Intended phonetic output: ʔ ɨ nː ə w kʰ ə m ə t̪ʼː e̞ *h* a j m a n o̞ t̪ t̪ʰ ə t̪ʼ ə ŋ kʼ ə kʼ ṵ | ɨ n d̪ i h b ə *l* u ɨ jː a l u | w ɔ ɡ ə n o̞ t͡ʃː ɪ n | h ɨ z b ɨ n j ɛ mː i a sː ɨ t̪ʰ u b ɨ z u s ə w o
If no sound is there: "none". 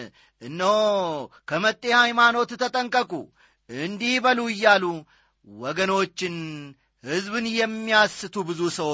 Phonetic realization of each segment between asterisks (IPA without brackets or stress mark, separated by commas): h, l